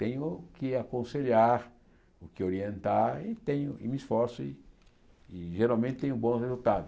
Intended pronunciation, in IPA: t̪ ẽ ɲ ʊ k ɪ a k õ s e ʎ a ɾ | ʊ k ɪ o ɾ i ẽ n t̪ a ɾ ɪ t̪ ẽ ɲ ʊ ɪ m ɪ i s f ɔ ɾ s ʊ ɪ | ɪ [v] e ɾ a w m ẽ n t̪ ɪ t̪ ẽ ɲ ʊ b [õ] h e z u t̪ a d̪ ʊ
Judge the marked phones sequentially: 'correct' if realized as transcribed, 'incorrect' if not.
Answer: incorrect, correct

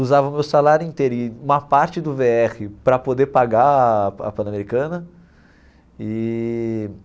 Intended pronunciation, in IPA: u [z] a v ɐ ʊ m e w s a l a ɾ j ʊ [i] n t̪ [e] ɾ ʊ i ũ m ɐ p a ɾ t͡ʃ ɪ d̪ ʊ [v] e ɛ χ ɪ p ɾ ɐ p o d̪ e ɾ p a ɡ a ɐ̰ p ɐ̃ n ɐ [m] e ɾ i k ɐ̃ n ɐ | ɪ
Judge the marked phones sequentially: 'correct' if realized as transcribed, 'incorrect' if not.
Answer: correct, incorrect, correct, correct, correct

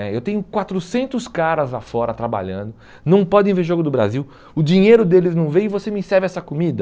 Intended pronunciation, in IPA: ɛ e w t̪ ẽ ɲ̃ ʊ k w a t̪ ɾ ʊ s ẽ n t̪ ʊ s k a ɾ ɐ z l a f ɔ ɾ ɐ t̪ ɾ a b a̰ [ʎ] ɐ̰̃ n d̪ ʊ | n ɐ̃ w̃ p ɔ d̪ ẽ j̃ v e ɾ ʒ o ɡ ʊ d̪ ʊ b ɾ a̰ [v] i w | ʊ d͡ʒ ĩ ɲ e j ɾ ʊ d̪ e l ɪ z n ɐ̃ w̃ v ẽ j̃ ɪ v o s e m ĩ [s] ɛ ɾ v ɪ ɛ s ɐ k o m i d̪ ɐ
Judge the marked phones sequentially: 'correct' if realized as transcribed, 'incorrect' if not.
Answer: correct, incorrect, correct

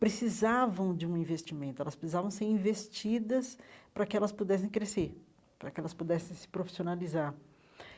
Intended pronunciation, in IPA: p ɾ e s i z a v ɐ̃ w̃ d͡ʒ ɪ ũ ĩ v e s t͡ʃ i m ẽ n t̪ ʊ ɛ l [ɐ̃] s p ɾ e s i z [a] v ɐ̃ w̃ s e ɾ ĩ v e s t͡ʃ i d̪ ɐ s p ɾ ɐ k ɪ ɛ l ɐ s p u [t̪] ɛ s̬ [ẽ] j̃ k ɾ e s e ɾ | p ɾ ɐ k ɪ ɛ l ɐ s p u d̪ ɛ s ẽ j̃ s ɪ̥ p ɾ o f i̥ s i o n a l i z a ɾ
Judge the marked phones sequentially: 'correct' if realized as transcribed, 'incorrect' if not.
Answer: incorrect, correct, incorrect, correct

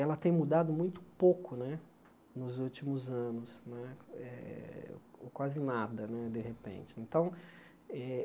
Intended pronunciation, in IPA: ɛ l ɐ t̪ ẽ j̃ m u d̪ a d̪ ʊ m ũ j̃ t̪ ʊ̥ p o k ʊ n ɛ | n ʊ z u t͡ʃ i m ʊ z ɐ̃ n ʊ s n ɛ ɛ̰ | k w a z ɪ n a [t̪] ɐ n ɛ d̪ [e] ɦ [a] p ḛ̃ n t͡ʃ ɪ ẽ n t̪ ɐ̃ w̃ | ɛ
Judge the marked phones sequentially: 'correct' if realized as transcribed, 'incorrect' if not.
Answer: incorrect, correct, incorrect

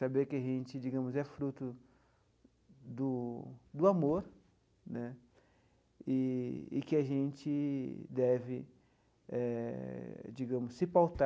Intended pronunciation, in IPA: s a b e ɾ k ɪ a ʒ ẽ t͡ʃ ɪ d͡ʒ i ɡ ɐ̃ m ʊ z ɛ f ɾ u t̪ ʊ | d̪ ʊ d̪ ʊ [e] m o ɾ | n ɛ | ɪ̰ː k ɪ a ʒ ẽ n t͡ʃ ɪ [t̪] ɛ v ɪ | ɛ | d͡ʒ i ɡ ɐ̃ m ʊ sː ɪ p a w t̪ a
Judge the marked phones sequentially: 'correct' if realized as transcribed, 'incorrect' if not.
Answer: incorrect, incorrect

